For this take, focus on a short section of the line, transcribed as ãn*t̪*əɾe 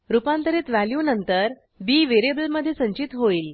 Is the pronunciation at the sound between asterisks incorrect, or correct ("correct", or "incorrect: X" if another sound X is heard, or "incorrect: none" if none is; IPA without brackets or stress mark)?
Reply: correct